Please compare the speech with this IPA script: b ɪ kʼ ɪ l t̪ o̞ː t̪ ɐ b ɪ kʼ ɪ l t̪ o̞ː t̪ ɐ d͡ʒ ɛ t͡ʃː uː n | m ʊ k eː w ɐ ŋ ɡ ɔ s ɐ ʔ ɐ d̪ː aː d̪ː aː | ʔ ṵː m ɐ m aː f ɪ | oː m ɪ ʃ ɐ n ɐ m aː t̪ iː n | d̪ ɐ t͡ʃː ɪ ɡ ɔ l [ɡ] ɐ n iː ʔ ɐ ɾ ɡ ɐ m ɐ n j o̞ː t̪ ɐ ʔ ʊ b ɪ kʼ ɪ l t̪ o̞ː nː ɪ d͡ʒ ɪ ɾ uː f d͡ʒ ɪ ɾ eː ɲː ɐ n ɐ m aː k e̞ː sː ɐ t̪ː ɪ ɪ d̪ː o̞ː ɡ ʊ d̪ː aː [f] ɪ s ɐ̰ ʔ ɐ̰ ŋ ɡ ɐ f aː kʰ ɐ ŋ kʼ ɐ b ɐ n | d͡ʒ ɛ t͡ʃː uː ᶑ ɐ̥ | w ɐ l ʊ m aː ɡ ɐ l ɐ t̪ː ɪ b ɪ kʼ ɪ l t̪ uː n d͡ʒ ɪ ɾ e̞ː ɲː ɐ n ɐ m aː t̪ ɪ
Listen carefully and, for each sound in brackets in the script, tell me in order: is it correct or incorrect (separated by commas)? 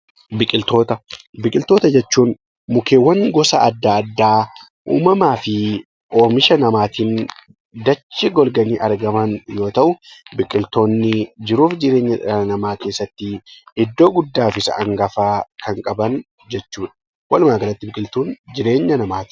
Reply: correct, correct